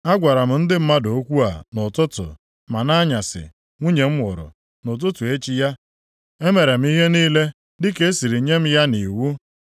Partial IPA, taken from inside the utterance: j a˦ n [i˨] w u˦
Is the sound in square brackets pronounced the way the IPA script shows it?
yes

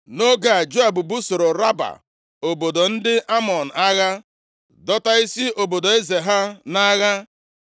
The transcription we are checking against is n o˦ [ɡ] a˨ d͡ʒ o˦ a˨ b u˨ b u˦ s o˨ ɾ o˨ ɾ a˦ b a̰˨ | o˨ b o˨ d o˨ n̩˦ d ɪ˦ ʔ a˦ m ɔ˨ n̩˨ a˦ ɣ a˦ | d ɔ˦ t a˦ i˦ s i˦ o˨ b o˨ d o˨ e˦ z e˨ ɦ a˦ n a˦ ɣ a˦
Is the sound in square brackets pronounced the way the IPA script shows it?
yes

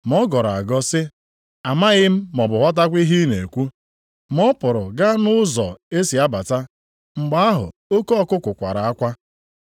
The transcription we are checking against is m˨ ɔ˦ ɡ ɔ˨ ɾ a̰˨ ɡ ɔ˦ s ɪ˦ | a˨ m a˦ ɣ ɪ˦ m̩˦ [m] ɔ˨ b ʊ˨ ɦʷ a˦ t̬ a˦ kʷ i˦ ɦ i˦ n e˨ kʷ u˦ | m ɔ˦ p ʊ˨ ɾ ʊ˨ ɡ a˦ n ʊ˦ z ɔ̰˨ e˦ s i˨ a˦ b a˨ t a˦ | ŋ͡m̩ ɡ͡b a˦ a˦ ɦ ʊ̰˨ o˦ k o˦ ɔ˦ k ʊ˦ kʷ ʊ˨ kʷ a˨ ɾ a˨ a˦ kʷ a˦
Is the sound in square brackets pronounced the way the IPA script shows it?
yes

